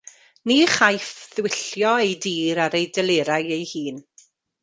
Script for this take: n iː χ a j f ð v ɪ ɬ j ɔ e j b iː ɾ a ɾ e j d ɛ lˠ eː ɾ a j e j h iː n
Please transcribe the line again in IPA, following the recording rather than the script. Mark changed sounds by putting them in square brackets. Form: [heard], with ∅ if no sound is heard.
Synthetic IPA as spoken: n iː χ a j f ð [w] ɪ ɬ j ɔ e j [d] iː ɾ a ɾ e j d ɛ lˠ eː ɾ a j e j h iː n